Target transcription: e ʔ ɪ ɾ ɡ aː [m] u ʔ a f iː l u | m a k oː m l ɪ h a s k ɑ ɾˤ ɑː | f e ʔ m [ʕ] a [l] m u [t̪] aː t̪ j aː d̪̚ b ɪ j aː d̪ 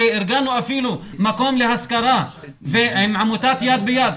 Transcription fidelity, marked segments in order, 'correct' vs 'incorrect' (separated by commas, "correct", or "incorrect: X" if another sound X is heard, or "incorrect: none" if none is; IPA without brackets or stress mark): incorrect: n, correct, incorrect: none, correct